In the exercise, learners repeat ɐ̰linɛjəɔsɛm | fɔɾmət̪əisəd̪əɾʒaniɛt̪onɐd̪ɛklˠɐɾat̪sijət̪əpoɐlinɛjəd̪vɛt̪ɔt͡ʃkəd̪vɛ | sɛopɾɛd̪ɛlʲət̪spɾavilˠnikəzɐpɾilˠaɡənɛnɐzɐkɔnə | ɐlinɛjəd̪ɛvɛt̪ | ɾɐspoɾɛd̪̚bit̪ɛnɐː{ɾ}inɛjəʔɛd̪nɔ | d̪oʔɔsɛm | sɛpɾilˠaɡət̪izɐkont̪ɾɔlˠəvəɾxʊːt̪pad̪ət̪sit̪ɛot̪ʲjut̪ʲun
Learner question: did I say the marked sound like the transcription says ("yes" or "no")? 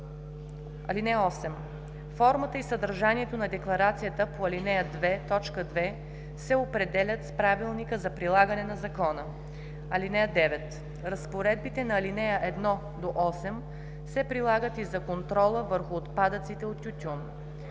no